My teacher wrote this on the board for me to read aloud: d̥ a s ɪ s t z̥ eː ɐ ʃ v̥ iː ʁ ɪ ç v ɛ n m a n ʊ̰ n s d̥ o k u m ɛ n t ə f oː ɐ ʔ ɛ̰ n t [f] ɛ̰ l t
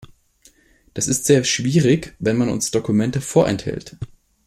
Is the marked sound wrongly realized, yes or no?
yes